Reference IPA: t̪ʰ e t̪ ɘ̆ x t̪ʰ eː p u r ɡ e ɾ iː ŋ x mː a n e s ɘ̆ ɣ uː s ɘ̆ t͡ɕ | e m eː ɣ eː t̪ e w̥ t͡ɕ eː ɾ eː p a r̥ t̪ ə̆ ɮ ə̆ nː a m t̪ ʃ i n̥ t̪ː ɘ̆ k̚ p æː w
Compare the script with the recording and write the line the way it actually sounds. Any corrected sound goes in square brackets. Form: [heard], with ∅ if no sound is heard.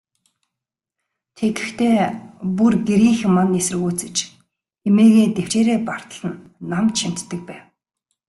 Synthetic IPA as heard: t̪ʰ e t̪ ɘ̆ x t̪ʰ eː p u r ɡ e ɾ iː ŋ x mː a n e s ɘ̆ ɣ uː [t͡s] ɘ̆ t͡ɕ | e m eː ɣ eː t̪ e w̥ t͡ɕ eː ɾ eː p a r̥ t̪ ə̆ ɮ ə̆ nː a m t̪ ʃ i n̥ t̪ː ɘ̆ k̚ p æː w

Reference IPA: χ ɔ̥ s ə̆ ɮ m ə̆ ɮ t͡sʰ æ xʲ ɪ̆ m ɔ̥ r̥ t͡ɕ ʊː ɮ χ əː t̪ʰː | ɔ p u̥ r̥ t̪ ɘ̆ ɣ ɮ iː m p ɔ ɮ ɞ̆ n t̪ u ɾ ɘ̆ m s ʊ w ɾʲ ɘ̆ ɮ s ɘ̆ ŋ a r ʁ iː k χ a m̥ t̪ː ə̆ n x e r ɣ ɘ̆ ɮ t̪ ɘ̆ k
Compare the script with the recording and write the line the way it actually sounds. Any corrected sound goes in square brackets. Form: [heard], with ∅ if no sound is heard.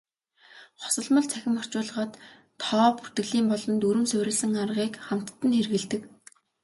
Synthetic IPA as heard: χ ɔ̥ s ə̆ ɮ m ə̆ ɮ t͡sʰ æ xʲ ɪ̆ m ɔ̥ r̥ t͡ɕ ʊː ɮ [ʁ] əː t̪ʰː | [ɔː] p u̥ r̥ t̪ ɘ̆ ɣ ɮ iː m p ɔ ɮ ɞ̆ n t̪ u ɾ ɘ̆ m s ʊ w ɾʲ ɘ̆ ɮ s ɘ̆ ŋ a r ʁ iː k χ a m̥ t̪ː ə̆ n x e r ɣ ɘ̆ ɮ t̪ ɘ̆ k

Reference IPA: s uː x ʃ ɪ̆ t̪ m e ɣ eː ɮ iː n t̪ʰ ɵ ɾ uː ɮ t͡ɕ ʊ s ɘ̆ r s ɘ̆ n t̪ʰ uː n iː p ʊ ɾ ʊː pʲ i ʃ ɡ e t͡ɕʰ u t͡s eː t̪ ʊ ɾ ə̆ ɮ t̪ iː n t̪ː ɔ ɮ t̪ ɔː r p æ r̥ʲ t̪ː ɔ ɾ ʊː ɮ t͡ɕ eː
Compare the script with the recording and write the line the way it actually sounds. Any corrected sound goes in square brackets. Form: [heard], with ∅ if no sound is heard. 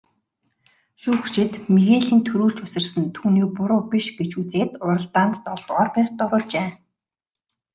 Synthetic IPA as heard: [ʃ] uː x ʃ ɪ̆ t̪ m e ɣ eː ɮ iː n t̪ʰ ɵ ɾ uː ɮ t͡ɕ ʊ s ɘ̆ r s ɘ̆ n t̪ʰ uː n iː p ʊ ɾ ʊː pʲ i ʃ ɡ e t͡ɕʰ u t͡s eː t̪ ʊ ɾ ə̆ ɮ t̪ [aː] n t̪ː ɔ ɮ t̪ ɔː r p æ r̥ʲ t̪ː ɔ ɾ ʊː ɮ t͡ɕ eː

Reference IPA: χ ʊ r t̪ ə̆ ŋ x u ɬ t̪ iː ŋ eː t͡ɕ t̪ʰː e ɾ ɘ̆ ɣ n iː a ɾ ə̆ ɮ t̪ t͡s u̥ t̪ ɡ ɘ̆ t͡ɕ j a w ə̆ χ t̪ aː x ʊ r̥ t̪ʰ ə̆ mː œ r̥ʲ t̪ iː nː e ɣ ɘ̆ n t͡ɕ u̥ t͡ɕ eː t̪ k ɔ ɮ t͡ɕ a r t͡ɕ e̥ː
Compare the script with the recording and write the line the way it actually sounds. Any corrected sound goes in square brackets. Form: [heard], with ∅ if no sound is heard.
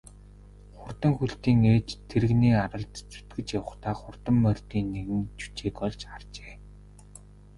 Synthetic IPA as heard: χ ʊ r t̪ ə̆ ŋ x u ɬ t̪ iː ŋ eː t͡ɕ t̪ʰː e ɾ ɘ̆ ɣ n iː a ɾ ə̆ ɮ t̪ t͡s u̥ t̪ ɡ ɘ̆ t͡ɕ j a w ə̆ χ t̪ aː [χ] ʊ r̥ [t̪] ə̆ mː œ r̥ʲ t̪ iː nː e ɣ ɘ̆ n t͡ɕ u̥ t͡ɕ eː [∅] k ɔ ɮ t͡ɕ a r t͡ɕ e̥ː

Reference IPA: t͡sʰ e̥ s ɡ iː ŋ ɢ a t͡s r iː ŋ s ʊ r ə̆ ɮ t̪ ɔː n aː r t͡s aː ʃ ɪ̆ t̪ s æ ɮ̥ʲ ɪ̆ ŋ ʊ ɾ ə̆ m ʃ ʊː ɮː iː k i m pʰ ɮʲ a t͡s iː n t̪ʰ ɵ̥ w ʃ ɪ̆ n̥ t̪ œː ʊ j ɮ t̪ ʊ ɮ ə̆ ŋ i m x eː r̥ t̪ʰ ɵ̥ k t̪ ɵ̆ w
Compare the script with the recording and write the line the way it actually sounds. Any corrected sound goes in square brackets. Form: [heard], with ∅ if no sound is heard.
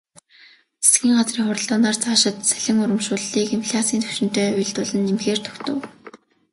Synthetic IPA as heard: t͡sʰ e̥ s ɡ iː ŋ ɢ a t͡s r iː ŋ [χ] ʊ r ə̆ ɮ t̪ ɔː n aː r t͡s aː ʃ ɪ̆ t̪ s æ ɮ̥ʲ ɪ̆ ŋ ʊ ɾ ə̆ m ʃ ʊː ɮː iː k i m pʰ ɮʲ a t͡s iː n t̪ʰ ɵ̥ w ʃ ɪ̆ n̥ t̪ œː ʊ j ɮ t̪ ʊ ɮ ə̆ [n] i m x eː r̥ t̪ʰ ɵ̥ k t̪ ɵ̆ w

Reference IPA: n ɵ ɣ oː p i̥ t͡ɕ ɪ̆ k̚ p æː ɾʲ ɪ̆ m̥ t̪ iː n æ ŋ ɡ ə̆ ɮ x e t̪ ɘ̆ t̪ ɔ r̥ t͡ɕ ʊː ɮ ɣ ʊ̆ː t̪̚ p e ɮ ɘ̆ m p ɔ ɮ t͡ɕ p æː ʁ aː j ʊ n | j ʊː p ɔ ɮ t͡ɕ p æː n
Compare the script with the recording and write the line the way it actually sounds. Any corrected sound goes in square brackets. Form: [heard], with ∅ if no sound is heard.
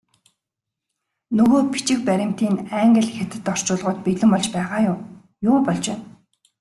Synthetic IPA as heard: n ɵ ɣ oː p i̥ t͡ɕ ɪ̆ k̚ p [æ] ɾʲ ɪ̆ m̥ t̪ iː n æ ŋ ɡ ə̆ ɮ x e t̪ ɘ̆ t̪ ɔ r̥ t͡ɕ ʊː ɮ [ʁ] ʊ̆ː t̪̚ p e ɮ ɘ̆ m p ɔ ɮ t͡ɕ p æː ʁ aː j ʊ [m] | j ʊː p ɔ ɮ t͡ɕ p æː n

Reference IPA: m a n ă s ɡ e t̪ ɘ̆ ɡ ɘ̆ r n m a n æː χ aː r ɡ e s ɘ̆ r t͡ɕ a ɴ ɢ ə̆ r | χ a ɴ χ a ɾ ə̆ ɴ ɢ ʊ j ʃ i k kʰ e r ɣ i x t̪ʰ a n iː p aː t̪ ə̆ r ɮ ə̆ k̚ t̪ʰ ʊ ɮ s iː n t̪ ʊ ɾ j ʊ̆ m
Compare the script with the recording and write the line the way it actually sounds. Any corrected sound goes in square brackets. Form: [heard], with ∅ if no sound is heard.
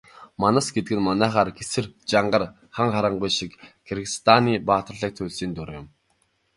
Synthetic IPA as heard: m a n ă s ɡ e t̪ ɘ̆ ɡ ɘ̆ [∅] n m a n æː χ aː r ɡ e s ɘ̆ r t͡ɕ a ɴ ɢ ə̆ r | χ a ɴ χ a ɾ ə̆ ɴ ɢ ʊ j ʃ i k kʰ e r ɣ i [s] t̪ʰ a n iː p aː t̪ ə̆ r ɮ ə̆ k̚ t̪ʰ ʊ ɮ s iː n t̪ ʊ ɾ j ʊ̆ m

